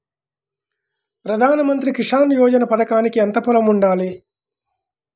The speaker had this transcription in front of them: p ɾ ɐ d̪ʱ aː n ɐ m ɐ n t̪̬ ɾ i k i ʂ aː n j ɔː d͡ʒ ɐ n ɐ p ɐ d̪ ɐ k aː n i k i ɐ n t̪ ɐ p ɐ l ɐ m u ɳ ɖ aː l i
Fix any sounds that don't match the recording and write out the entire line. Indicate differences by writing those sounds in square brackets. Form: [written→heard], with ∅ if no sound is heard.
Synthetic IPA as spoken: p ɾ ɐ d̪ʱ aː n ɐ m ɐ n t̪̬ ɾ i k i ʂ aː n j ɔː d͡ʒ ɐ n ɐ p ɐ d̪ ɐ k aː n i k i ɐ n t̪ ɐ p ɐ l ɐ m u ɳ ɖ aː l i

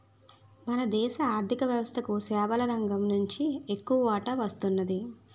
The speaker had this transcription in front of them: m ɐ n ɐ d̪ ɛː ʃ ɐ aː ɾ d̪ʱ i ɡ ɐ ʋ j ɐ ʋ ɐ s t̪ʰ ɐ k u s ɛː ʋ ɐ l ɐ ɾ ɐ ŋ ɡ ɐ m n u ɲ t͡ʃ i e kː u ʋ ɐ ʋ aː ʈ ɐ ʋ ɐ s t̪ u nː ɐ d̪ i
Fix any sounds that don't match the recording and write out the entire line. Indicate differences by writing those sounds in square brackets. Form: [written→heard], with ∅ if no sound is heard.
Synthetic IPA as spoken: m ɐ n ɐ d̪ ɛː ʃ ɐ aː ɾ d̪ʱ i [ɡ→k] ɐ ʋ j ɐ ʋ ɐ s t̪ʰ ɐ k u s ɛː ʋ ɐ l ɐ ɾ ɐ ŋ ɡ ɐ m n u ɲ t͡ʃ i e kː u ʋ ɐ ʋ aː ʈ ɐ ʋ ɐ s t̪ u nː ɐ d̪ i

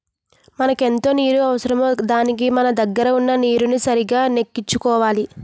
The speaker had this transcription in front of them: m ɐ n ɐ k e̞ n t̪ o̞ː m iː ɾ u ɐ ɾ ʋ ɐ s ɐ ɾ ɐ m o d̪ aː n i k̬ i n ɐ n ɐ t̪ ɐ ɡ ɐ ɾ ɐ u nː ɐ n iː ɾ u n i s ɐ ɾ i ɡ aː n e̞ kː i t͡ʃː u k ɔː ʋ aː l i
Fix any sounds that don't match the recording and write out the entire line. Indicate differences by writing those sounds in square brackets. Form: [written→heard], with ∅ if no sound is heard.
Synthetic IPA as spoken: m ɐ n ɐ k e̞ n t̪ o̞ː [m→n] iː ɾ u ɐ [ɾ→∅] ʋ ɐ s ɐ ɾ ɐ m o d̪ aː n i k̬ i [n→m] ɐ n ɐ [t̪→d̪] ɐ [ɡ→ɡː] ɐ ɾ ɐ u nː ɐ n iː ɾ u n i s ɐ ɾ i ɡ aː n e̞ kː i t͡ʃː u k ɔː ʋ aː l i

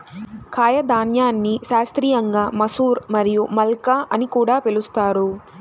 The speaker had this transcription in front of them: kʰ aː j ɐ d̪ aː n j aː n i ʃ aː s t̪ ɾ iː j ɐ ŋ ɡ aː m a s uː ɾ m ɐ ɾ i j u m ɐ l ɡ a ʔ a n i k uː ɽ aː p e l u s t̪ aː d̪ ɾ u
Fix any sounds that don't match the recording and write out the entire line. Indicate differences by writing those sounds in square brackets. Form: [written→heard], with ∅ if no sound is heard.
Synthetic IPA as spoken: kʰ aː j ɐ d̪ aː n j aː [n→nː] i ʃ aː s t̪ ɾ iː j ɐ ŋ ɡ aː m [a→ɐ] s uː ɾ m ɐ ɾ i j u m ɐ l [ɡ→k] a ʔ [a→ɐ] n i k uː ɽ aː p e l u s t̪ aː [d̪→∅] ɾ u

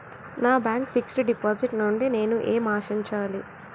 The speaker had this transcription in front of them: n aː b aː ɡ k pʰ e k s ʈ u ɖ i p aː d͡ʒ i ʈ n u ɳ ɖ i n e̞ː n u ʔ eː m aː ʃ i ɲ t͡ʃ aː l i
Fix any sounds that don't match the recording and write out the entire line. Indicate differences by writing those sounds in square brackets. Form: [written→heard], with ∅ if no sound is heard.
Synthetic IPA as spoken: n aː b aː [ɡ→ŋ] k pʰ [e→i] k s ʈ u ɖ i p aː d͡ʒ i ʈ n u ɳ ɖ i n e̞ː n u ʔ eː m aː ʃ i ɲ t͡ʃ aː l i

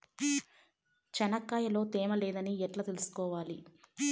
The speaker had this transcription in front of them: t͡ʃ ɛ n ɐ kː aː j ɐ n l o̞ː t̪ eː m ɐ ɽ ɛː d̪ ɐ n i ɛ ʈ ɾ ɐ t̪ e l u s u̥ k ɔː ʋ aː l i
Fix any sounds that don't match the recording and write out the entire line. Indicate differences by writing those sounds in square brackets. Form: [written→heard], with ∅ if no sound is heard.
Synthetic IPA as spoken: t͡ʃ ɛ n ɐ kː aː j ɐ [n→∅] l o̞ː t̪ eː m ɐ [ɽ→l] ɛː d̪ ɐ n i ɛ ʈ [ɾ→l] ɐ t̪ e l u s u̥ k ɔː ʋ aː l i

